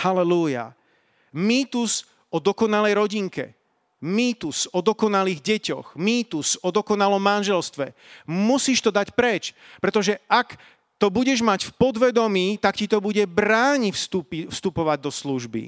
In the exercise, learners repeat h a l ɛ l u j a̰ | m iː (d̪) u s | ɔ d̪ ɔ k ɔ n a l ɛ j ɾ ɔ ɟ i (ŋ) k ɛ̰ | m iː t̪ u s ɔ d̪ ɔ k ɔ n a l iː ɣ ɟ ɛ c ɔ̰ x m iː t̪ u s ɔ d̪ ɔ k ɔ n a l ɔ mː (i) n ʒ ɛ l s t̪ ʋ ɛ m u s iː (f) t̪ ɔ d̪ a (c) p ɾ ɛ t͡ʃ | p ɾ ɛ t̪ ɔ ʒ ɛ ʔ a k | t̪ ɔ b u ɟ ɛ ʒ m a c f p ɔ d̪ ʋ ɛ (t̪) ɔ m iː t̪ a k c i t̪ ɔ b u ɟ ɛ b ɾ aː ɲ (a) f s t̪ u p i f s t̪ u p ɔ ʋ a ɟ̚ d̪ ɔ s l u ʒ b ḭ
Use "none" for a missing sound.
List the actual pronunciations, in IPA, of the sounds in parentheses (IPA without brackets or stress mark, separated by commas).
t̪, ŋ, a, ʃ, c, d̪, i